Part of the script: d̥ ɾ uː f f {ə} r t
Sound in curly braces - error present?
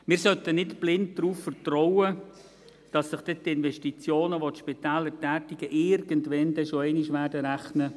no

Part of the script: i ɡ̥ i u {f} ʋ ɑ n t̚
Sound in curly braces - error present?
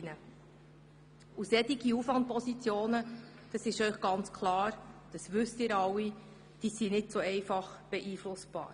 no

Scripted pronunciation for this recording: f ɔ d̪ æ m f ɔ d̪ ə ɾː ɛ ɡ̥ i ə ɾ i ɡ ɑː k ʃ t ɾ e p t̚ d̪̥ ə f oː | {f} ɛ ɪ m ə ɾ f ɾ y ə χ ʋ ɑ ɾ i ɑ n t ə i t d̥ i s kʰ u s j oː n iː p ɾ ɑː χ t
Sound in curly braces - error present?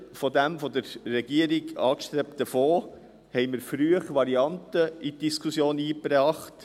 yes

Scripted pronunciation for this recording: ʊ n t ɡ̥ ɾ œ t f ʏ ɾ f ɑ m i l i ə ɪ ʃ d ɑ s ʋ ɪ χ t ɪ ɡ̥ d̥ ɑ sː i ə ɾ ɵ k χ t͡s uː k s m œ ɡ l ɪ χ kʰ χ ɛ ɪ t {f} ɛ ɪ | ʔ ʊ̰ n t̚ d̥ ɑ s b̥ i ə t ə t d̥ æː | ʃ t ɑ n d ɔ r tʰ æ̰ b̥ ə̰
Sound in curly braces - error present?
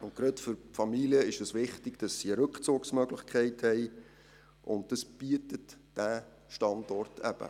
yes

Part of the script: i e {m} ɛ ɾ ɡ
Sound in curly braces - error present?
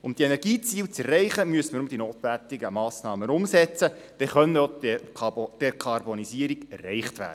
yes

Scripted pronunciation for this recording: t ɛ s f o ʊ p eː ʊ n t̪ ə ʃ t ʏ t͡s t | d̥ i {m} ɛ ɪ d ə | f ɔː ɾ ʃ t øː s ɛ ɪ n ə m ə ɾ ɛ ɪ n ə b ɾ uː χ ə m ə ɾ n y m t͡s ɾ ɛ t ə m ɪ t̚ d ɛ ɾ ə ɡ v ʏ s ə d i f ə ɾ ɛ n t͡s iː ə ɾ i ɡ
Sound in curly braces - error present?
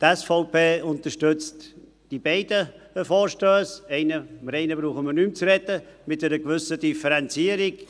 yes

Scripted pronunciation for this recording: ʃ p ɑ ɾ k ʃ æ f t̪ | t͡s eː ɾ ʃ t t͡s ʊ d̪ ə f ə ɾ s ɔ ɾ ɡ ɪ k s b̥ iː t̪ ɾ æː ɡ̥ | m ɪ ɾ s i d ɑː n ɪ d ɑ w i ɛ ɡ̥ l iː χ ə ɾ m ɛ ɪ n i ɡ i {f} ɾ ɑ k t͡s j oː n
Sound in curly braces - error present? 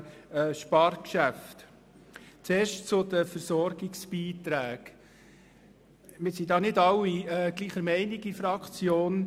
no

